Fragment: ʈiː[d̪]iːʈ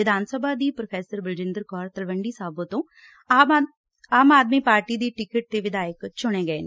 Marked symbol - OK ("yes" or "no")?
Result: yes